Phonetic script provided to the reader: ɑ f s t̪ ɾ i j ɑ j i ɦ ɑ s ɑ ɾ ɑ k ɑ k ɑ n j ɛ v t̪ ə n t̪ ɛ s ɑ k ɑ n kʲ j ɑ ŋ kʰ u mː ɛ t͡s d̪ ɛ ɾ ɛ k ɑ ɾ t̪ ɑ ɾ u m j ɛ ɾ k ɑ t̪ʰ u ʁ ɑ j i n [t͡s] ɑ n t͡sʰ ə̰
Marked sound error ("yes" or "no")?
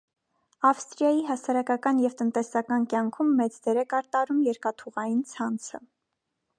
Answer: yes